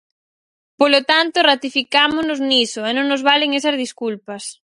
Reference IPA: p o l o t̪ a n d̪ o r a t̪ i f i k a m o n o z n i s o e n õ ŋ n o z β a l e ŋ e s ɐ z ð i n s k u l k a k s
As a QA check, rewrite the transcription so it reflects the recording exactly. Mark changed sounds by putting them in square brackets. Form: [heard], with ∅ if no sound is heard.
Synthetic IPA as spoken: p o l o t̪ a n [t̪] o r a t̪ i f i k a m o n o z n i s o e n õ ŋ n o z β a l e ŋ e s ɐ z ð i [∅] s k u l [p] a [∅] s

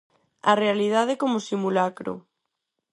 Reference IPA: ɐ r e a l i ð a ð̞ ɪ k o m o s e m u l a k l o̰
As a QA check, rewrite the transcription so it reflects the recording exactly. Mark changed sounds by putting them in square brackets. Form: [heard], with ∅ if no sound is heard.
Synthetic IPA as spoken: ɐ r e a l i ð a ð̞ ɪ k o m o s [i] m u l a k [ɾ] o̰

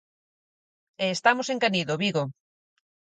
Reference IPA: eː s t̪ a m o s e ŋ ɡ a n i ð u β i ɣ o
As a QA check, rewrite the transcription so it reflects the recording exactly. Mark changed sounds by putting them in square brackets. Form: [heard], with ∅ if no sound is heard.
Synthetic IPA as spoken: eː s t̪ a m o s e ŋ [k] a n i ð [o] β i ɣ o

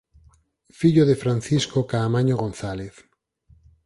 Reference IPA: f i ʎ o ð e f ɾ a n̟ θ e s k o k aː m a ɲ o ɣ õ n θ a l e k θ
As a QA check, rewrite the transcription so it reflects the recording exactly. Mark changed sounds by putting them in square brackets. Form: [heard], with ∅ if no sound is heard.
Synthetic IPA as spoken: f i ʎ o ð e f ɾ a n̟ θ [i] s k o k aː m a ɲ o ɣ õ n θ a l e [∅] θ

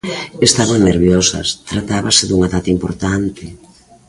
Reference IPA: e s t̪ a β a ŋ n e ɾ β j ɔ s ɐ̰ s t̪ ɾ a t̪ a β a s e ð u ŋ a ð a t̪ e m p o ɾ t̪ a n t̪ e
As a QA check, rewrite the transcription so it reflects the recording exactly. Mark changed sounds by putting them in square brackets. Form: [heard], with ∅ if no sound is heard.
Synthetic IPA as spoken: e s t̪ a β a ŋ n e ɾ β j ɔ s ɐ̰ s t̪ ɾ a t̪ a β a s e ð u ŋ a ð a t̪ [i] m p o ɾ t̪ a n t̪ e

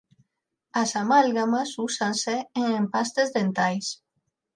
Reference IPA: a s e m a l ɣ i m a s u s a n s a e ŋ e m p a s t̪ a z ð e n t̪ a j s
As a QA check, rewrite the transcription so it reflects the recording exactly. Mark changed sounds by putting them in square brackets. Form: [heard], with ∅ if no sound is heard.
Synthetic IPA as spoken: a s [a] m a l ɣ [a] m a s u s a n s [e] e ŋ e m p a s t̪ [e] z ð e n t̪ a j s

